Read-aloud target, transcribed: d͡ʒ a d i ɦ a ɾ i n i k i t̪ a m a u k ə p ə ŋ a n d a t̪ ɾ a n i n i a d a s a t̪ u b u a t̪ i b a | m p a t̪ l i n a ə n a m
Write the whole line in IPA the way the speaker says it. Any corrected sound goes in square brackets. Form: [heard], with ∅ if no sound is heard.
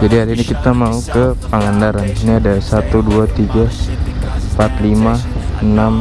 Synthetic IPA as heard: d͡ʒ a d i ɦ a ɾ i n i k i t̪ a m a u k ə p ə ŋ a n d a [∅] ɾ a n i n i a d a s a t̪ u [d] u a t̪ i [ɡ] a | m p a t̪ l i [m] a ə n a m